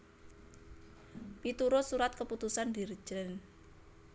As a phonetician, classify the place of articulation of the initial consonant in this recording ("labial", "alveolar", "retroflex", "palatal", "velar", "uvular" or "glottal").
labial